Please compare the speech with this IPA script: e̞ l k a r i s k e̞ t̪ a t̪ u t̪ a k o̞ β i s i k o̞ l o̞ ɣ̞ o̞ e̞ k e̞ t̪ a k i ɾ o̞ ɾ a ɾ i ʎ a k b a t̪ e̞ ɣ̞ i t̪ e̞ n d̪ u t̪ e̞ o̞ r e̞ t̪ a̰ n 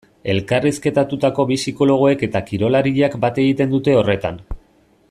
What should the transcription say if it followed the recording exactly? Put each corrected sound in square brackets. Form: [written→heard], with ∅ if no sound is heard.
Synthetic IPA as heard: e̞ l k a r i s k e̞ t̪ a t̪ u t̪ a k o̞ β i s i k o̞ l o̞ ɣ̞ o̞ e̞ k e̞ t̪ a k i ɾ o̞ [ɾ→l] a ɾ i ʎ a k b a t̪ e̞ ɣ̞ i t̪ e̞ n d̪ u t̪ e̞ o̞ r e̞ t̪ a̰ n